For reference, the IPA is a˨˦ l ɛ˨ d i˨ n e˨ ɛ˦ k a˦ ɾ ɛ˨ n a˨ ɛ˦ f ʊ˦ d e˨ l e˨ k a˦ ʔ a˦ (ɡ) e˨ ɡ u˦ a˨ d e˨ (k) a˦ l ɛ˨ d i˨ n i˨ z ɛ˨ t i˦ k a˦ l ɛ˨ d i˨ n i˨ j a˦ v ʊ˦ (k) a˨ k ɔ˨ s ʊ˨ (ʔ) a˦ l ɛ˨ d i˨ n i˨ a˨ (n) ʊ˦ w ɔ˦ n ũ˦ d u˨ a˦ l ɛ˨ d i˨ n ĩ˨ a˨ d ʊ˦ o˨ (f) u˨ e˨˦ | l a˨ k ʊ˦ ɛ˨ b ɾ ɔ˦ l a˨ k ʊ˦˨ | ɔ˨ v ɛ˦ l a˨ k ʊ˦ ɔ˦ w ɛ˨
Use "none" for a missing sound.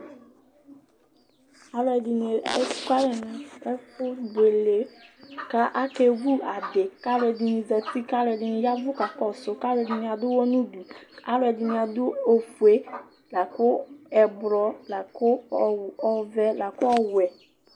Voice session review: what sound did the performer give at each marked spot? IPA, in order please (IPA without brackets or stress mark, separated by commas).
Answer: k, k, k, k, d, f